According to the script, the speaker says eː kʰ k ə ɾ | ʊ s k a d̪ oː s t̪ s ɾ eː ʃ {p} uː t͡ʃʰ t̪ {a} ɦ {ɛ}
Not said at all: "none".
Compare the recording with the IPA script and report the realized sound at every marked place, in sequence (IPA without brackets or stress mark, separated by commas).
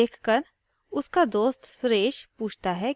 p, a, ɛ